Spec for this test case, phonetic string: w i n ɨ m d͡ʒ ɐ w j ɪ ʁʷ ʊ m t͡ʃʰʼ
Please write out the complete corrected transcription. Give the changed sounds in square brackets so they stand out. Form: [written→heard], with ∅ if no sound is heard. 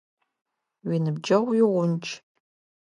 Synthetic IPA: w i n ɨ [m→b] d͡ʒ ɐ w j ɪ ʁʷ ʊ [m→n] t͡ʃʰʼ